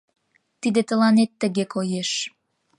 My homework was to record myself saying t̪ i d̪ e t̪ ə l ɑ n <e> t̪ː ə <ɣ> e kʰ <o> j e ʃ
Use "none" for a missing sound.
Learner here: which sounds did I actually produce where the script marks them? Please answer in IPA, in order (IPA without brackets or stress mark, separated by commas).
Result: e, ɣ, o